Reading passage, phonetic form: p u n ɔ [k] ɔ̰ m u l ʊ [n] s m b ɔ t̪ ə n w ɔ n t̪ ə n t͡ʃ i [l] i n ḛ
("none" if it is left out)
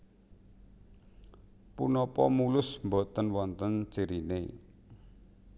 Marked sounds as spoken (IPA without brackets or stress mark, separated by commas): p, none, ɾ